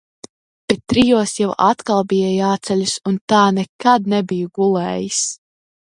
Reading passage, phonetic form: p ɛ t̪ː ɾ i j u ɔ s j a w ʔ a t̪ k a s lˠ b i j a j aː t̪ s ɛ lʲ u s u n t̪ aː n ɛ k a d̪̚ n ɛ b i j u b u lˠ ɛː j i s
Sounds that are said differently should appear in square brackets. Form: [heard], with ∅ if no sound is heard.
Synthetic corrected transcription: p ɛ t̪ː ɾ i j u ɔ s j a w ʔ a t̪ k a [∅] lˠ b i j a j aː t̪ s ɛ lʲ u s u n t̪ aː n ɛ k a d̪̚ n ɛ b i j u [ɡ] u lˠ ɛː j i s